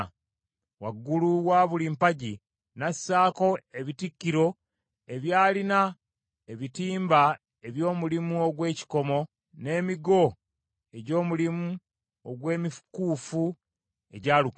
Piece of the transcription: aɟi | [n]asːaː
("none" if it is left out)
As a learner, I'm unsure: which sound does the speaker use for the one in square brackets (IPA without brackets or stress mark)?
n